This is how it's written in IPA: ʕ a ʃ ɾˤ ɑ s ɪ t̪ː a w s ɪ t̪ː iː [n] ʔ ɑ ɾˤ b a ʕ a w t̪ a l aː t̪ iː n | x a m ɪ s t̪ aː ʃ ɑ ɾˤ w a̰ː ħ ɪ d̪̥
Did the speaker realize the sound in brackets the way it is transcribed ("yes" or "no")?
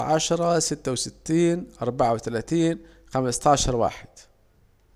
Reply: yes